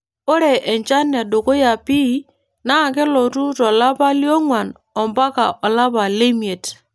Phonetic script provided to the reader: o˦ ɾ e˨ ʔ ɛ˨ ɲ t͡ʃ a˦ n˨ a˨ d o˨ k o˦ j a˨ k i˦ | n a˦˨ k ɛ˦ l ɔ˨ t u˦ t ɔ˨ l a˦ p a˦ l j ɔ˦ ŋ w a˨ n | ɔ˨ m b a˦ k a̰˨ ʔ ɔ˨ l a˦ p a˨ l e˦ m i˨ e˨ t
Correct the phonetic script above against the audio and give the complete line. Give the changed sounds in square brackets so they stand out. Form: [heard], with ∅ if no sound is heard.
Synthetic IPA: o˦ ɾ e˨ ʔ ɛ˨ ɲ t͡ʃ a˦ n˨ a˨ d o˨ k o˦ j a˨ [p] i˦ | n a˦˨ k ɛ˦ l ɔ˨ t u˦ t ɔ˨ l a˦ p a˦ l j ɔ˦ ŋ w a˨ n | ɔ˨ m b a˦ k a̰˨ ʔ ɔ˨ l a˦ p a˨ l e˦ m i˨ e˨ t